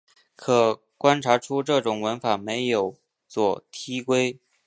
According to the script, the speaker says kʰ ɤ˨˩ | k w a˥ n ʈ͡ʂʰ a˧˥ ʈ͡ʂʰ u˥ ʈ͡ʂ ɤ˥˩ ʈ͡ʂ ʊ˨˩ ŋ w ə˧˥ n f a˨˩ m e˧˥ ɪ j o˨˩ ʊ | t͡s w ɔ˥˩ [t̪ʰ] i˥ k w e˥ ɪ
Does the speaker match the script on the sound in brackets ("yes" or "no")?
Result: yes